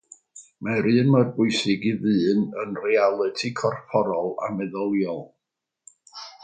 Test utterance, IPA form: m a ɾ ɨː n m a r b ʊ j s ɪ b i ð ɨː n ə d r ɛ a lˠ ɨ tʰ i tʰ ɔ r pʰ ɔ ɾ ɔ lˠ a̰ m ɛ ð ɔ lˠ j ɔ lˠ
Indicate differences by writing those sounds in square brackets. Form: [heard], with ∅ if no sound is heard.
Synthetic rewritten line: m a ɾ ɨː n m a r b ʊ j s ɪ [ɡ] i ð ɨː n ə [n] r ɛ a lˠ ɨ tʰ i [kʰ] ɔ r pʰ ɔ ɾ ɔ lˠ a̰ m ɛ ð ɔ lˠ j ɔ lˠ